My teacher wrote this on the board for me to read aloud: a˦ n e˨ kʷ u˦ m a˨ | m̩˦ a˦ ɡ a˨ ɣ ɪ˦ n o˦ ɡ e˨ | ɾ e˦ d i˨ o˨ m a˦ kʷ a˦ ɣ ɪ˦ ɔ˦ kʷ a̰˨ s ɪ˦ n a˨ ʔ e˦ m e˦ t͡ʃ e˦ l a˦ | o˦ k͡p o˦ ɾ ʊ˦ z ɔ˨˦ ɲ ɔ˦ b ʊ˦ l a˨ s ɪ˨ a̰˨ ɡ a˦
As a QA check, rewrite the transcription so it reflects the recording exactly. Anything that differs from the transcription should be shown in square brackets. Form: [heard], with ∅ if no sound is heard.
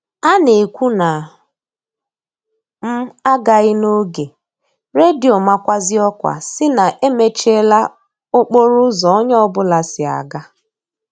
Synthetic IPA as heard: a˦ n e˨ kʷ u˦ [n] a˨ | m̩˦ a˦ ɡ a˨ ɣ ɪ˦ n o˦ ɡ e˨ | ɾ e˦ d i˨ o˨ m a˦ kʷ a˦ [z] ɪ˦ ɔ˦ kʷ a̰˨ s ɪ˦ n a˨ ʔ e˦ m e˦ t͡ʃ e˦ l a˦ | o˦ k͡p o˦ ɾ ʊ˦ z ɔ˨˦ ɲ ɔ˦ b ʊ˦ l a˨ s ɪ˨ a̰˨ ɡ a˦